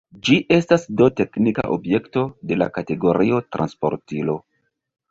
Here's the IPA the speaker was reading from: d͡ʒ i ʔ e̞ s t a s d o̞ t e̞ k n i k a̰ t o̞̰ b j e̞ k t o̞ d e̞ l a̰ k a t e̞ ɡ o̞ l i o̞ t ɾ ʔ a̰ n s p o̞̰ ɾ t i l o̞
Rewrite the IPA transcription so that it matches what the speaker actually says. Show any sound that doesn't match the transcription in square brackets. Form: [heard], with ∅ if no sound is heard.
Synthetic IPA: d͡ʒ i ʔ e̞ s t a s d o̞ t e̞ k n i k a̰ [ʔ] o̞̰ b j e̞ k t o̞ d e̞ l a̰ k a t e̞ ɡ o̞ [ɾ] i o̞ t ɾ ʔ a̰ n s p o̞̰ ɾ t i l o̞